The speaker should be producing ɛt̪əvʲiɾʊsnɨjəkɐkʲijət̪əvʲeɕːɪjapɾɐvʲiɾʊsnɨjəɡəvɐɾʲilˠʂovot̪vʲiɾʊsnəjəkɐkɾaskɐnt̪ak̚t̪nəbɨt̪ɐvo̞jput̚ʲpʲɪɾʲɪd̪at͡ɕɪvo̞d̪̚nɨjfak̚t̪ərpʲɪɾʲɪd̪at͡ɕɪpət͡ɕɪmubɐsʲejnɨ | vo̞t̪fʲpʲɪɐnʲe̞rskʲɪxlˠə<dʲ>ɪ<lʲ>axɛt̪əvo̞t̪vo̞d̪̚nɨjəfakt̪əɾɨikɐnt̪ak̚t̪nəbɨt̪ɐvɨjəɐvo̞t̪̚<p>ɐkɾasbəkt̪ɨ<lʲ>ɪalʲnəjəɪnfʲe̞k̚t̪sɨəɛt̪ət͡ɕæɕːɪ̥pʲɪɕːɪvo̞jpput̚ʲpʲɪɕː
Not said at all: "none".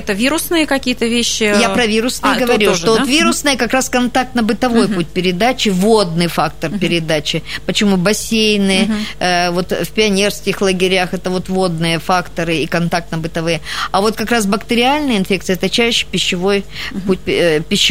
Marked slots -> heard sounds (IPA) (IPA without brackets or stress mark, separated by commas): ɡʲ, ɾʲ, k, ɾʲ